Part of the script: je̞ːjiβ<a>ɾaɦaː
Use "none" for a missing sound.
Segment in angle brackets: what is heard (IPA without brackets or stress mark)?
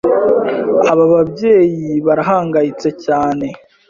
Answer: a